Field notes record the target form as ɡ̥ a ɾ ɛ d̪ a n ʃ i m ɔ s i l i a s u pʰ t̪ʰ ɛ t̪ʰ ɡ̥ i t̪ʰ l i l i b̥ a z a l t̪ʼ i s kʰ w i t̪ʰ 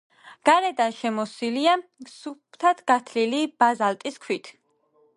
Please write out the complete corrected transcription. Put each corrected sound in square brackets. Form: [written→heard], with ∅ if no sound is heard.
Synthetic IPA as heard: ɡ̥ a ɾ ɛ d̪ a n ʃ [i→ɛ] m ɔ s i l i a s u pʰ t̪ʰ [ɛ→a] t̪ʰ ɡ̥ [i→a] t̪ʰ l i l i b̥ a z a l t̪ʼ i s kʰ w i t̪ʰ